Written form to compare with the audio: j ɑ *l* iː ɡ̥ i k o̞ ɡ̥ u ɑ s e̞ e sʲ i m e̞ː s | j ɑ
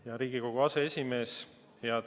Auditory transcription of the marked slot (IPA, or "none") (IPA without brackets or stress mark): ɾ